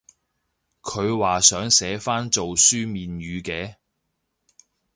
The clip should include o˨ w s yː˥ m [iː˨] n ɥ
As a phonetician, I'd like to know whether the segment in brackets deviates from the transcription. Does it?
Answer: no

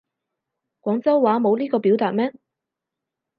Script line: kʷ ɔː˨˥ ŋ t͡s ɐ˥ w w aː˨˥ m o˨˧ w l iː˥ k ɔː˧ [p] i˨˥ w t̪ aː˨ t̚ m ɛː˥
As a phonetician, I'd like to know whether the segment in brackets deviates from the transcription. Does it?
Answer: no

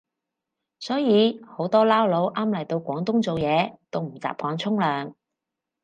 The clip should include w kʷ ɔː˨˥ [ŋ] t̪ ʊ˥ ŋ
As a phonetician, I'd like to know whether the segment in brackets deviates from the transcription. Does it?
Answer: no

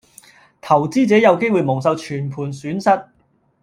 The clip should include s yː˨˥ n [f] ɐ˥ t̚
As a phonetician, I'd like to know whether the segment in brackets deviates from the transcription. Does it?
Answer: yes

